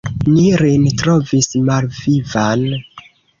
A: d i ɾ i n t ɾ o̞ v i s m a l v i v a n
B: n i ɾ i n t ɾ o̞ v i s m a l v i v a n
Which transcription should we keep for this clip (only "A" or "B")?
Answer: B